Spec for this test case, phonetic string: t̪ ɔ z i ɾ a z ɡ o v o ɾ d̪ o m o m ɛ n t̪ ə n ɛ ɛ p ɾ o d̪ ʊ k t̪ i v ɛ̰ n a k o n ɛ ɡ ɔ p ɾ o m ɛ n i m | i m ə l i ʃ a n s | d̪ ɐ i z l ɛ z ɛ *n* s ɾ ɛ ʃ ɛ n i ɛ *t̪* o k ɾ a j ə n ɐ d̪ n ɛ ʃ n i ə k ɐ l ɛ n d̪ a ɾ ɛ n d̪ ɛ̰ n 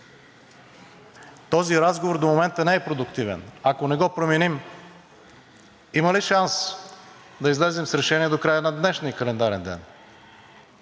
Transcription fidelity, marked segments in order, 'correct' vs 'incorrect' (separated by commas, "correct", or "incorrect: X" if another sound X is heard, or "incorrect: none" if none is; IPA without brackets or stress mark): incorrect: m, incorrect: d̪